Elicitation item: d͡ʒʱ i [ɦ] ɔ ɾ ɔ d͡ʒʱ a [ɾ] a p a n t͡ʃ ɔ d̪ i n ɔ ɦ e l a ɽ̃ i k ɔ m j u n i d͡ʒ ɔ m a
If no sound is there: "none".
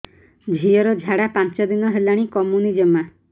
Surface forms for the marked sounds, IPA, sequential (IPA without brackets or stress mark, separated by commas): none, ɽ